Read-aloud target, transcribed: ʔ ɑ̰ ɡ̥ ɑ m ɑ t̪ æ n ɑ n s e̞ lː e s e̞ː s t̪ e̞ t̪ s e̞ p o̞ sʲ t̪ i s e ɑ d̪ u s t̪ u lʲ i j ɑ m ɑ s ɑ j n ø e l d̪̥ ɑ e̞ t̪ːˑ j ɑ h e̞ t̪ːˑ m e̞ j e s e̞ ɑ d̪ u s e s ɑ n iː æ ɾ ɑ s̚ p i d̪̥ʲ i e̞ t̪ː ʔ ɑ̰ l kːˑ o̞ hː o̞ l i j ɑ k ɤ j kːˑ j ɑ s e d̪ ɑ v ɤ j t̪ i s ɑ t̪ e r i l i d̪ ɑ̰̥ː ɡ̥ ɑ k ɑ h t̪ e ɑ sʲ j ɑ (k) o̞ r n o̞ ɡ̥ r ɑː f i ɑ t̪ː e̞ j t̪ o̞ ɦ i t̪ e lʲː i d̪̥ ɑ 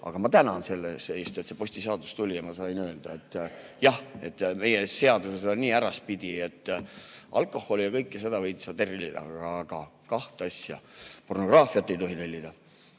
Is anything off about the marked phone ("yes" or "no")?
yes